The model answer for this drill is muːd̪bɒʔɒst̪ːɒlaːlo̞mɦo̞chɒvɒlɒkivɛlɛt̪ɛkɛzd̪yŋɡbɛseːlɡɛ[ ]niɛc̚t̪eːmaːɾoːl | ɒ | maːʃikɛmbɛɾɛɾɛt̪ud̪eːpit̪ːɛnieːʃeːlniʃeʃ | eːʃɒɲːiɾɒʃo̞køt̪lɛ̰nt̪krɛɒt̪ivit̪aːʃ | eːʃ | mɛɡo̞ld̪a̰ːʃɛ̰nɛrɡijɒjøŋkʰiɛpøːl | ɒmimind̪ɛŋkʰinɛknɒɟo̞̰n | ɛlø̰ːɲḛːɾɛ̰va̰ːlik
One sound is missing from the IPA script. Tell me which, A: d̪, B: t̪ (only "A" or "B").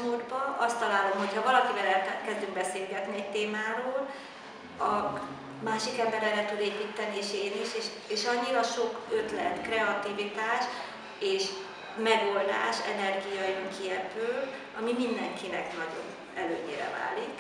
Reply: B